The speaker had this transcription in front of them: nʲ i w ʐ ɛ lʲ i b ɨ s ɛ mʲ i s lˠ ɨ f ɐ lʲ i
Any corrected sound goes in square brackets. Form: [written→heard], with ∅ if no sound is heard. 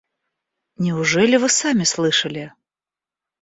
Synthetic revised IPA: nʲ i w ʐ ɛ lʲ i [b→v] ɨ s [ɛ→a] mʲ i s lˠ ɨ [f→ʂ] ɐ lʲ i